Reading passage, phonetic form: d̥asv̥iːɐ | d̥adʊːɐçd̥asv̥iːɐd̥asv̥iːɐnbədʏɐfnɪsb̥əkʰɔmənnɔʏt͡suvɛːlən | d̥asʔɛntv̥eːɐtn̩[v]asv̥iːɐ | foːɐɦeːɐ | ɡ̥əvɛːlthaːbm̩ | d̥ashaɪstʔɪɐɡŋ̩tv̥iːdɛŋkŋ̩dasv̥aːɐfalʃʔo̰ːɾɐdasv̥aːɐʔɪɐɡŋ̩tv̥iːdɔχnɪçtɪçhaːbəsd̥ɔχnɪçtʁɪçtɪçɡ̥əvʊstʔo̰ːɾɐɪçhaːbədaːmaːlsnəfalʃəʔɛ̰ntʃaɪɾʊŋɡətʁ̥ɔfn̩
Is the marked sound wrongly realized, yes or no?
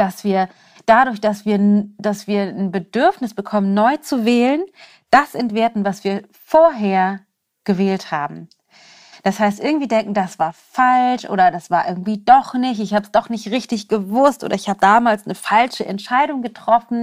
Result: no